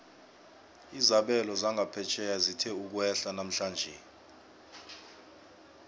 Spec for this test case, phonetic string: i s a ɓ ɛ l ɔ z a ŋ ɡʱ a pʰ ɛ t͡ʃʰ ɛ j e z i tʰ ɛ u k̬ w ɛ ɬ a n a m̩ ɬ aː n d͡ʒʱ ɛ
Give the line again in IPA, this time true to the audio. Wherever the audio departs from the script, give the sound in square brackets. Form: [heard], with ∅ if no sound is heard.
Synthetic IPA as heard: i [z] a ɓ ɛ l ɔ z a ŋ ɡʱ a pʰ ɛ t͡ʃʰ ɛ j [a] z i tʰ ɛ u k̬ w ɛ ɬ a n a m̩ ɬ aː n d͡ʒʱ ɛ